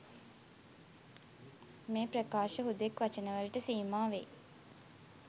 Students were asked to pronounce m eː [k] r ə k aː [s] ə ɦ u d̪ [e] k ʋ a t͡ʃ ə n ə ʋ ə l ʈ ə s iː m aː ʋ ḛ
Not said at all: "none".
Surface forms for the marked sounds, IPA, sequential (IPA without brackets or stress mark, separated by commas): p, ʃ, e